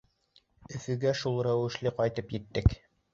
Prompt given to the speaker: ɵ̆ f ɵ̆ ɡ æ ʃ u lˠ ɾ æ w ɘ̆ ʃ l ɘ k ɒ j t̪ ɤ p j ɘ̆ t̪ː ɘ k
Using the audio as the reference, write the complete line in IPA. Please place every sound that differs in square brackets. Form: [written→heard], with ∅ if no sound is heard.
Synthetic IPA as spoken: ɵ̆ f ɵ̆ ɡ æ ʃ u lˠ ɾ æ w ɘ̆ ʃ l ɘ [k→q] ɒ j t̪ ɤ p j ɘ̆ t̪ː ɘ k